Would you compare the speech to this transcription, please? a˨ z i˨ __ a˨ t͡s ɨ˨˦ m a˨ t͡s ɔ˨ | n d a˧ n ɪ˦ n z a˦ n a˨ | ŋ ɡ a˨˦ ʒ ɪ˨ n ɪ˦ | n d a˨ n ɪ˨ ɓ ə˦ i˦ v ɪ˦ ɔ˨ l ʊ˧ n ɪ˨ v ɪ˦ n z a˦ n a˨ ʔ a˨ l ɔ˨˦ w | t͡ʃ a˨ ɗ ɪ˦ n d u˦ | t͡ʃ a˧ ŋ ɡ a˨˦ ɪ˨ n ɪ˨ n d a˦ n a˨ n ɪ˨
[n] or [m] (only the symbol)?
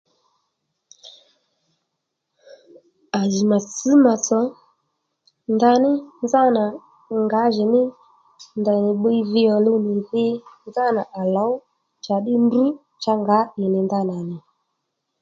m